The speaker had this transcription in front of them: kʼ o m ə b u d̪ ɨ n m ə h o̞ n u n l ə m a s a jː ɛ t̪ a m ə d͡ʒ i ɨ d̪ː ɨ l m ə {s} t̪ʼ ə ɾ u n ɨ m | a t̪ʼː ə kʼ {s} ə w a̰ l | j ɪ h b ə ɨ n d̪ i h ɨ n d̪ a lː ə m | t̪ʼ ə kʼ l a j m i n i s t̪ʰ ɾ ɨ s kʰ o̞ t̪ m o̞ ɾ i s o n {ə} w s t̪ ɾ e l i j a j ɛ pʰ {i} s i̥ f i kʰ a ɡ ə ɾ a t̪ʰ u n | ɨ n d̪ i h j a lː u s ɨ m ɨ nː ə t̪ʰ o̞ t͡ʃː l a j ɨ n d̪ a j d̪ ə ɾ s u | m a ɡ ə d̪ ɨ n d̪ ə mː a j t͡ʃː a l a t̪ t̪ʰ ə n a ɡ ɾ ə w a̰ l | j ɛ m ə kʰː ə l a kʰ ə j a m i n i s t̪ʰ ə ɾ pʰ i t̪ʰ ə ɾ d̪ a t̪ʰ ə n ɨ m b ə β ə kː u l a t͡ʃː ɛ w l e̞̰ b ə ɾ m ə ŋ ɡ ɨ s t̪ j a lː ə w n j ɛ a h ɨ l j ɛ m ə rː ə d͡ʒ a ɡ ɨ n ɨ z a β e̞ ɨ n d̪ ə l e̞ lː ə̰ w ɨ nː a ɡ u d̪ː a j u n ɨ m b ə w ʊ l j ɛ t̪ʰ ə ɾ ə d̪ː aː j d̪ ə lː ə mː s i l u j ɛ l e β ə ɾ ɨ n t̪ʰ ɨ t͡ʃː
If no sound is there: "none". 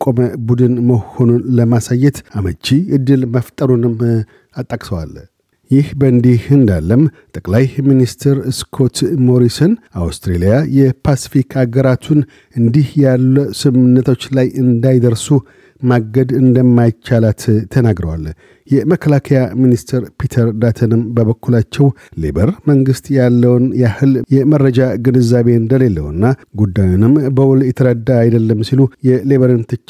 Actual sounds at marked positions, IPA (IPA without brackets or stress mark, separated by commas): f, s, a, a